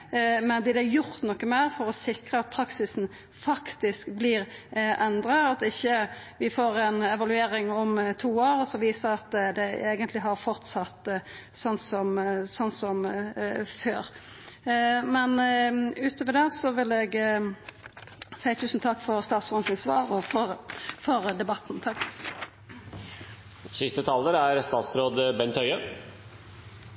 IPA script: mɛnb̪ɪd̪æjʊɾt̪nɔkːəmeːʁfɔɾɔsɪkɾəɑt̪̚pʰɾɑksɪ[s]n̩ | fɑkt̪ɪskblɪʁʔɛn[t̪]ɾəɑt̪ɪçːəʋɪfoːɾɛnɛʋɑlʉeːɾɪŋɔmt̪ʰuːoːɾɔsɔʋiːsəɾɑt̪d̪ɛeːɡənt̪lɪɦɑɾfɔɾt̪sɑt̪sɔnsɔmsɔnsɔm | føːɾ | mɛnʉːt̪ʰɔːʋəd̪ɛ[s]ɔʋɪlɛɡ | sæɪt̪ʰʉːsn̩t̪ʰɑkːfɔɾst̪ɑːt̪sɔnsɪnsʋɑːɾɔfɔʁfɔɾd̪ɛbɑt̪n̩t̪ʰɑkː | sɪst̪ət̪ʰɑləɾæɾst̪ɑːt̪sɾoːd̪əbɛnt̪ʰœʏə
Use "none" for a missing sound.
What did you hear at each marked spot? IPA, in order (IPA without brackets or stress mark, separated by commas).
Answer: s, d̪, s